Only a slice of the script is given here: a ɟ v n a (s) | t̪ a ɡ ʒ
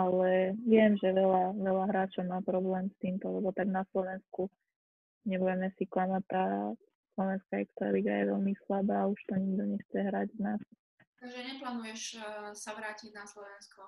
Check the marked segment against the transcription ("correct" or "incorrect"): correct